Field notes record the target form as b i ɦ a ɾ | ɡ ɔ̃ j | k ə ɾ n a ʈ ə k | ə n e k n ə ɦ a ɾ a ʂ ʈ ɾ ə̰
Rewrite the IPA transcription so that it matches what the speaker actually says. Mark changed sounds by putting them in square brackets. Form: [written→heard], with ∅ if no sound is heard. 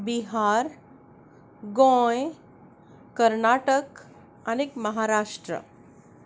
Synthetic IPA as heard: b i ɦ a ɾ | ɡ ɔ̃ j | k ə ɾ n a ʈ ə k | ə n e k [n→m] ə ɦ a ɾ a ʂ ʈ ɾ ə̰